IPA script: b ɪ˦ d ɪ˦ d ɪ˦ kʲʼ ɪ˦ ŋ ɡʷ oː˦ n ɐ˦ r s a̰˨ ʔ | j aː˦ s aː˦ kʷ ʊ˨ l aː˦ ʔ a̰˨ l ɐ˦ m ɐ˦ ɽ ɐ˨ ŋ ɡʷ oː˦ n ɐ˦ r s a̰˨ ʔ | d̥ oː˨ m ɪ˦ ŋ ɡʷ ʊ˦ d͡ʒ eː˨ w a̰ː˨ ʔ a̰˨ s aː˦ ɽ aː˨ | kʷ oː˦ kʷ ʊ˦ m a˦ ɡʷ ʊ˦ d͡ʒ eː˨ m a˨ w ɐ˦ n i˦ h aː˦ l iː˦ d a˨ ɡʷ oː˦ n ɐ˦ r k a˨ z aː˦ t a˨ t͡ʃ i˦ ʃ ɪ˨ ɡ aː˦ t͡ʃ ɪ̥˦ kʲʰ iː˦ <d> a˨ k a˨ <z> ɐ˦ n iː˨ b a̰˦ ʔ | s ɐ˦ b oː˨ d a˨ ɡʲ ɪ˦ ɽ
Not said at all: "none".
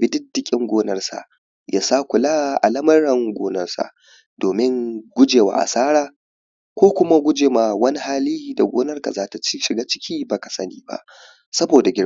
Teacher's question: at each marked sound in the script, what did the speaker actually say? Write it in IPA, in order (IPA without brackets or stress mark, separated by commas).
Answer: b, s